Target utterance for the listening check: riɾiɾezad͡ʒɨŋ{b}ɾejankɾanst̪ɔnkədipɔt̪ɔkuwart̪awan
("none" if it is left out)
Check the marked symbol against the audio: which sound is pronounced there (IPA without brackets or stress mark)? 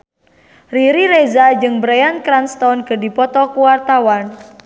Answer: b